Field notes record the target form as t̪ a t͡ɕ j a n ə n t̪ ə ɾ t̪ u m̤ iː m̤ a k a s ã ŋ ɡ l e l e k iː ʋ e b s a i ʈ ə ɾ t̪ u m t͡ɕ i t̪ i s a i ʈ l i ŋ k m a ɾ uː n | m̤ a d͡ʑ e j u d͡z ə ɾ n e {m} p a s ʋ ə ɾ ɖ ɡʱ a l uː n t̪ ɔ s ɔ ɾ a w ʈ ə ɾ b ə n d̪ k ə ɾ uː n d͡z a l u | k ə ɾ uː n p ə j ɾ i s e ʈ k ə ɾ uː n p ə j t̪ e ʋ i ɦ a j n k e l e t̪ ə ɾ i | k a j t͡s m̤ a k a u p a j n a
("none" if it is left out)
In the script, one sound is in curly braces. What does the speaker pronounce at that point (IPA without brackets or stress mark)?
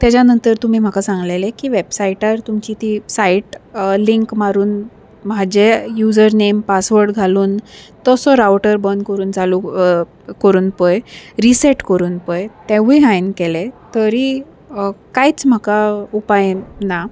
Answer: m